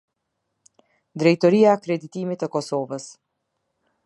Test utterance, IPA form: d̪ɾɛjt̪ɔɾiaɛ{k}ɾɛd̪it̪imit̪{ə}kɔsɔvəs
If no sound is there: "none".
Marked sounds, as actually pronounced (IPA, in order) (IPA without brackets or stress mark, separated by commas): k, ə